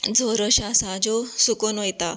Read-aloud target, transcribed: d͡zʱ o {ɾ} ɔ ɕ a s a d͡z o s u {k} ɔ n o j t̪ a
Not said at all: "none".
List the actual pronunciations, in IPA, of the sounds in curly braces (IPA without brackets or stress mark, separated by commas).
ɾ, k